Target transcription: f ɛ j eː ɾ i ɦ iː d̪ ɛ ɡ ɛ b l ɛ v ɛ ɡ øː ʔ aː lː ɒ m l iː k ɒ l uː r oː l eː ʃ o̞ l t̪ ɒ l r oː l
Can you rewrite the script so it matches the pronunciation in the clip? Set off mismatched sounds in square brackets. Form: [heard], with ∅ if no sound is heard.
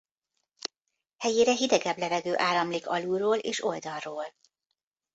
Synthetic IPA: [h] ɛ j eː ɾ [ɛ] ɦ [i] d̪ ɛ ɡ ɛ b l ɛ v ɛ ɡ øː ʔ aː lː ɒ m l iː k ɒ l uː r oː l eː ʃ o̞ l [d̪] ɒ l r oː l